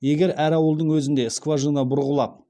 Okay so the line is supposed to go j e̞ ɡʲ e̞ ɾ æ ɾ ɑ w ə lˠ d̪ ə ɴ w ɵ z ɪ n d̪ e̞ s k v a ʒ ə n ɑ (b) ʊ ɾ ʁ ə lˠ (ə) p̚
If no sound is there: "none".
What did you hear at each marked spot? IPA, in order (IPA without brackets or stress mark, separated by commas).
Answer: b, ɑ